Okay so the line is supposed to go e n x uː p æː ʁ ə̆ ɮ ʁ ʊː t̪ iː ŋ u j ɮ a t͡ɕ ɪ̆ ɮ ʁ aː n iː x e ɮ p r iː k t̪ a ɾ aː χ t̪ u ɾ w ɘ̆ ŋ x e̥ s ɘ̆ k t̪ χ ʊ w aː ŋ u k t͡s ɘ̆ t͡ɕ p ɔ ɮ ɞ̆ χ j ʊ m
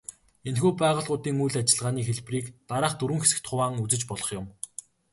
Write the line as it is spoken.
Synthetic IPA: e n x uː p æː ʁ ə̆ ɮ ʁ ʊː t̪ iː ŋ u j ɮ a t͡ɕ ɪ̆ ɮ ʁ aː n iː x e ɮ p r iː k t̪ a ɾ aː χ t̪ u ɾ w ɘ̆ ŋ x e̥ s ɘ̆ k t̪ χ ʊ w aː ŋ u t͡s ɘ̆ t͡ɕ p ɔ ɮ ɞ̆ χ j ʊ m